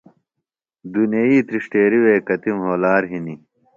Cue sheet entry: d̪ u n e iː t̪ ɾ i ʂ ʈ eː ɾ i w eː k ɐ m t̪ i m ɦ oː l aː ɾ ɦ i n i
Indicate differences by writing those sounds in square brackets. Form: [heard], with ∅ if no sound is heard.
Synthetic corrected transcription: d̪ u n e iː t̪ ɾ i ʂ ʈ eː ɾ i w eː k ɐ [∅] t̪ i m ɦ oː l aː ɾ ɦ i n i

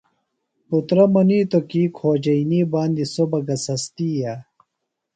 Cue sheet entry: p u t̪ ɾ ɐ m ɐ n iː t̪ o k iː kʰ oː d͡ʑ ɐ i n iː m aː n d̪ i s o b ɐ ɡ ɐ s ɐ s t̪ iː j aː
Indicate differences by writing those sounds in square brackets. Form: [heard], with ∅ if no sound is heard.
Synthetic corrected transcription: p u t̪ ɾ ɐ m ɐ n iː t̪ o k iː kʰ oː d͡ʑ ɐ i n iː [b] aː n d̪ i s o b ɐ ɡ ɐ s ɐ s t̪ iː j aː

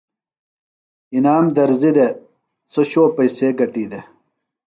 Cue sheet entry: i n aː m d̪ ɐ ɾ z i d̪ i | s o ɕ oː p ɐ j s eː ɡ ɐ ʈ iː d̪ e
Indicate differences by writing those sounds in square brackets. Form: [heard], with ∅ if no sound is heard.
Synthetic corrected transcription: i n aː m d̪ ɐ ɾ z i d̪ [e] | s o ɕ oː p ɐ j s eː ɡ ɐ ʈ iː d̪ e

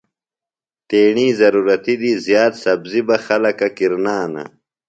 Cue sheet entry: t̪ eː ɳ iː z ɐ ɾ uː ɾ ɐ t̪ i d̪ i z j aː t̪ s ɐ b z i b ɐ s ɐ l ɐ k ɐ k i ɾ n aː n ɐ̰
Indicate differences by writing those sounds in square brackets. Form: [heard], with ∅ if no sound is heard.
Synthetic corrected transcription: t̪ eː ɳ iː z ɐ ɾ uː ɾ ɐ t̪ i d̪ i z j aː t̪ s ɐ b z i b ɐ [x] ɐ l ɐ k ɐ k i ɾ n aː n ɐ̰

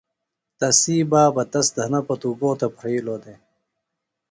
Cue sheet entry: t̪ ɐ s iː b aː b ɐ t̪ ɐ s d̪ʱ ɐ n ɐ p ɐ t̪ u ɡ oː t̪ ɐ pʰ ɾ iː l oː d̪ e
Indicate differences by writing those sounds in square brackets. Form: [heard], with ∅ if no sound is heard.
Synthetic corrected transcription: t̪ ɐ s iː b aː b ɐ t̪ ɐ s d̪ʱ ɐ n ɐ p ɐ t̪ u ɡ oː t̪ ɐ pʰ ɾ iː l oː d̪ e

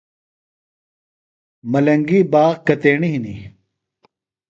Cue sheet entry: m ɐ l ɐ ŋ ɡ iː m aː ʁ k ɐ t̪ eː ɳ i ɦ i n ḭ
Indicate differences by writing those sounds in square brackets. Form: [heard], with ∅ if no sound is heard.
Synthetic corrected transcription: m ɐ l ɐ ŋ ɡ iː [b] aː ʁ k ɐ t̪ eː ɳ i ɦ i n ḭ

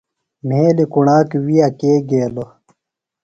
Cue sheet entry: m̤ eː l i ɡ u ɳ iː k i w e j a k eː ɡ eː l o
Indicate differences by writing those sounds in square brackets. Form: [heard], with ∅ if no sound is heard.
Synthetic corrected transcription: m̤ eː l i [k] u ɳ [aː] k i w [i] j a k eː ɡ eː l o

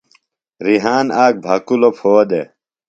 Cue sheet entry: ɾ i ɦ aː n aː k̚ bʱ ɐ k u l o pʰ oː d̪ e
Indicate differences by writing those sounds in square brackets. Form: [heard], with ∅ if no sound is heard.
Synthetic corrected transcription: ɾ i ɦ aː n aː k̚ bʱ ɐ k u l o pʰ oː d̪ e

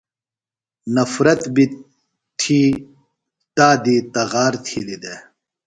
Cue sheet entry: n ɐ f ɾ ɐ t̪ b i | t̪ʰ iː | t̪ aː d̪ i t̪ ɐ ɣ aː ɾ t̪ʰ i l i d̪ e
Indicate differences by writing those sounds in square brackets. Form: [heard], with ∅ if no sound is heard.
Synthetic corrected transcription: n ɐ f ɾ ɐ t̪ b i | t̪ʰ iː | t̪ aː d̪ i t̪ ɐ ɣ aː ɾ t̪ʰ i l i d̪ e

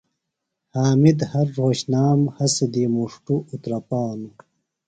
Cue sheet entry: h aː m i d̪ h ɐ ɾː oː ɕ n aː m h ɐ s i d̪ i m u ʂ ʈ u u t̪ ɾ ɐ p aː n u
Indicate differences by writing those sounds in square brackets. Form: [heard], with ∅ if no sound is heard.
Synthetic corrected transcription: h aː m i d̪ h ɐ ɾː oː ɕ n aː m h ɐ s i d̪ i m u ʂ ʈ u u t̪ ɾ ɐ p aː n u

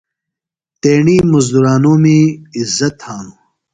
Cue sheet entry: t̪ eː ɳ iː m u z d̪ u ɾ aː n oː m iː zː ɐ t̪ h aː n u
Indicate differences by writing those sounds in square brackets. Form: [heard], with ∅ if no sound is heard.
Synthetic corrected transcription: t̪ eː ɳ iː m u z d̪ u ɾ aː n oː m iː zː ɐ t̪ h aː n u

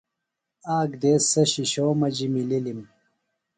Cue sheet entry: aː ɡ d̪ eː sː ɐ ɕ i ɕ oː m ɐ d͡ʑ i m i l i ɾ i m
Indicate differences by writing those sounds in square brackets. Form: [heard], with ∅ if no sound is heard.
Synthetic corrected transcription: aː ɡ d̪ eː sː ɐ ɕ i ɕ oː m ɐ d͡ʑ i m i l i [l] i m

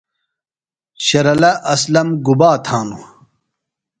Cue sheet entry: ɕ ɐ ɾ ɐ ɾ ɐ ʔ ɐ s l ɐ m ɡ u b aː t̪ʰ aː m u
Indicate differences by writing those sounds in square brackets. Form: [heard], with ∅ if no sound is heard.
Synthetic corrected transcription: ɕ ɐ ɾ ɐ [l] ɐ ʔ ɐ s l ɐ m ɡ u b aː t̪ʰ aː [n] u

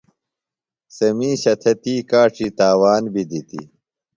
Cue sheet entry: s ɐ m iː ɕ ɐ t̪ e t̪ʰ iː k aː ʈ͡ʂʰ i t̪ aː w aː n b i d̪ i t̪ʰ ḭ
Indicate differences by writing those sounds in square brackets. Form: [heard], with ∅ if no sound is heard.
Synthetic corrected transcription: s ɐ m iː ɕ ɐ [t̪ʰ] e [t̪] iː k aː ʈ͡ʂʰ i t̪ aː w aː n b i d̪ i [t̪] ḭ

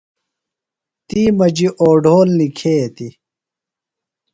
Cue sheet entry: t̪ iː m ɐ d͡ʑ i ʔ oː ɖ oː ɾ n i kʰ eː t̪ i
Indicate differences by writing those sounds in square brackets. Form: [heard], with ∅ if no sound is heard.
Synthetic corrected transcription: t̪ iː m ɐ d͡ʑ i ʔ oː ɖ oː [l] n i kʰ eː t̪ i

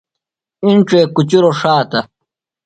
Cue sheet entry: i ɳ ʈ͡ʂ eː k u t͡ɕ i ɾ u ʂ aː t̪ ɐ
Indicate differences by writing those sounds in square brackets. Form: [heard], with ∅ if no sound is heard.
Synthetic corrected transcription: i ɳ ʈ͡ʂ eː k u t͡ɕ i ɾ [o] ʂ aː t̪ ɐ

